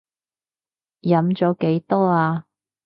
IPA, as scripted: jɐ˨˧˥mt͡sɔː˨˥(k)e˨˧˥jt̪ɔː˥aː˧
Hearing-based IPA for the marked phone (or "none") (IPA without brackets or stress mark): k